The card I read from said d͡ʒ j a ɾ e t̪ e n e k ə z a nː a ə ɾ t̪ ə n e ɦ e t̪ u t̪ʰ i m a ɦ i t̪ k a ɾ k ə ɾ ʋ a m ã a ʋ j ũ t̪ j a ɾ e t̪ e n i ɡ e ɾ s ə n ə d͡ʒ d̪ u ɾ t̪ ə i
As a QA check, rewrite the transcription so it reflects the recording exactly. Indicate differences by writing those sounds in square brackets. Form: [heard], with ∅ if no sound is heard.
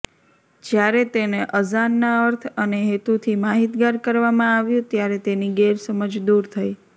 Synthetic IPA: d͡ʒ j a ɾ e t̪ e n e [ʔ] ə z a nː a ə ɾ [t̪ʰ] ə n e ɦ e t̪ u t̪ʰ i m a ɦ i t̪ [ɡ] a ɾ k ə ɾ ʋ a m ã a ʋ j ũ t̪ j a ɾ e t̪ e n i ɡ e ɾ s ə [m] ə d͡ʒ d̪ u ɾ [t̪ʰ] ə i